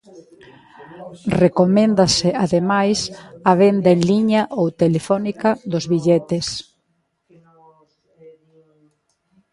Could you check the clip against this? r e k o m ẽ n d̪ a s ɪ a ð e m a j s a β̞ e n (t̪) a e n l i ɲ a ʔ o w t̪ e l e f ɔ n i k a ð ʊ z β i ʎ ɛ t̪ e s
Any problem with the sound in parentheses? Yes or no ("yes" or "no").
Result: yes